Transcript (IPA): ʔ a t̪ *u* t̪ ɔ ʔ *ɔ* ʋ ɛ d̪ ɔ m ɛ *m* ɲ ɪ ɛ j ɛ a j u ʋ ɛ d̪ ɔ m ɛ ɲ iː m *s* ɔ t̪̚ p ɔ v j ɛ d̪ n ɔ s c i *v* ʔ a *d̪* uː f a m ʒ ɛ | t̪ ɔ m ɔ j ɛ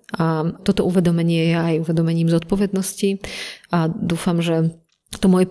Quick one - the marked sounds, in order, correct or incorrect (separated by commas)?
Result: incorrect, incorrect, incorrect, incorrect, incorrect, correct